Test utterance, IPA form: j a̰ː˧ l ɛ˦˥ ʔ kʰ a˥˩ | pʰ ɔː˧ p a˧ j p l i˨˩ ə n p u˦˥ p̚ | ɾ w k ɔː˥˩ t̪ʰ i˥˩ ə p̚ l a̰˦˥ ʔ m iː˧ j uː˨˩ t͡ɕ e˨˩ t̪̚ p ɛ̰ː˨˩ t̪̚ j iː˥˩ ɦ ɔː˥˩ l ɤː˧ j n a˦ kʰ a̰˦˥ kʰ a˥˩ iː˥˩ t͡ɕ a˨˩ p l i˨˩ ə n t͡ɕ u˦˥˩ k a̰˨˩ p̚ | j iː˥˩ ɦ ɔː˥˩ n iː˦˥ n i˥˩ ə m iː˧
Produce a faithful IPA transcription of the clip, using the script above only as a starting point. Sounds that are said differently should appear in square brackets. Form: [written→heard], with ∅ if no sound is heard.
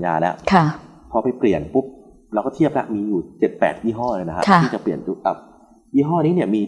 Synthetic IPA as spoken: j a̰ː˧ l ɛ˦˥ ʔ kʰ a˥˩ | pʰ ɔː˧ p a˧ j p l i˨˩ ə n p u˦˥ p̚ | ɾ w k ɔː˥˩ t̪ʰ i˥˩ ə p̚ l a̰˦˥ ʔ m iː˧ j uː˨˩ t͡ɕ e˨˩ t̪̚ p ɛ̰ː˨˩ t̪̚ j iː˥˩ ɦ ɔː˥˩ l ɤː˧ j n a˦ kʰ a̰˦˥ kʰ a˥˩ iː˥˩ t͡ɕ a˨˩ p l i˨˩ ə n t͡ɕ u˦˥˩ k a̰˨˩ p̚ | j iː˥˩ ɦ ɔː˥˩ n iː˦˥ n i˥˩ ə m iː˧